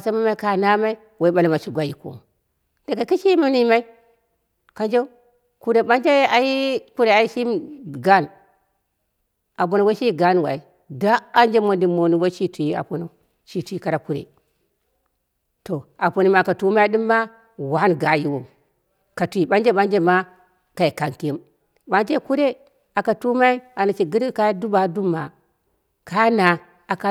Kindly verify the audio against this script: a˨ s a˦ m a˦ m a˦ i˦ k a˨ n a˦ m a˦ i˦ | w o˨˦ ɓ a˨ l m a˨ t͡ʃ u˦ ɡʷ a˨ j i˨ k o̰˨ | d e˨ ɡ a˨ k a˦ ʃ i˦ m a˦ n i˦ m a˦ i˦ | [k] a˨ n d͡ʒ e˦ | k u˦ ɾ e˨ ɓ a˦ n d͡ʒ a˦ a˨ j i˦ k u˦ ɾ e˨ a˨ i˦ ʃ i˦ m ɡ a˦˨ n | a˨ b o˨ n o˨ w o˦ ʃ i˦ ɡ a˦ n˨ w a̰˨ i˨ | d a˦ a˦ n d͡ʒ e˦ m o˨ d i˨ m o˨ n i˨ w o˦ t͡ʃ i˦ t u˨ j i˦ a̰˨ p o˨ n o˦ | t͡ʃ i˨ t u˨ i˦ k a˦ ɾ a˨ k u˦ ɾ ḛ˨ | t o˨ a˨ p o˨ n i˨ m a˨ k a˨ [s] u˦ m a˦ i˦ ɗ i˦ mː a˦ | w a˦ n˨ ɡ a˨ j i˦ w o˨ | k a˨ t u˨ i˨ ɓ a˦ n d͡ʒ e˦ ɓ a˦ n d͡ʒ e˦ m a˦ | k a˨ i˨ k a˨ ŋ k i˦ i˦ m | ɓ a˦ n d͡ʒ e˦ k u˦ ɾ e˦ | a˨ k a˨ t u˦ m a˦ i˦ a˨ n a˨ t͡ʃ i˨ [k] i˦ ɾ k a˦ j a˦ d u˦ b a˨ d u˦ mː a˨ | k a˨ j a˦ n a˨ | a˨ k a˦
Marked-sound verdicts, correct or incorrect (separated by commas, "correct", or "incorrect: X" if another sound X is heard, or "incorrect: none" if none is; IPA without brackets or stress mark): correct, incorrect: t, incorrect: ɡ